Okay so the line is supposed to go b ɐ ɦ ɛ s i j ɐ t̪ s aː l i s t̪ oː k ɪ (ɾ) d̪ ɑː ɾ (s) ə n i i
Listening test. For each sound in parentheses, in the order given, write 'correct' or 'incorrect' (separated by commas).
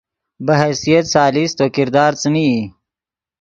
correct, incorrect